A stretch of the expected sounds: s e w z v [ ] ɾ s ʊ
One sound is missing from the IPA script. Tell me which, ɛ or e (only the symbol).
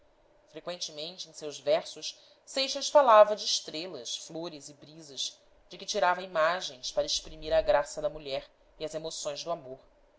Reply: ɛ